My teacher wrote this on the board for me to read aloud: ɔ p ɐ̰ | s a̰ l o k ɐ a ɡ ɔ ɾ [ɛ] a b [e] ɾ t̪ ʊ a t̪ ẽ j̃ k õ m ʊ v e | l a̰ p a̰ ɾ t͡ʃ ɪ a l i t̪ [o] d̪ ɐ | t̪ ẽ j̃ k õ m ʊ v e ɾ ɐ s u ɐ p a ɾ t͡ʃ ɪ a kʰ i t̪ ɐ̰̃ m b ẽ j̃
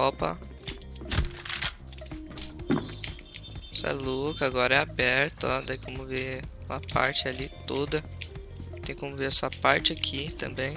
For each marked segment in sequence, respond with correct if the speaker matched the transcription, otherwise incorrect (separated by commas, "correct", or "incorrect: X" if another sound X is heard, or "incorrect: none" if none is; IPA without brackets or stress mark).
correct, incorrect: ɛ, correct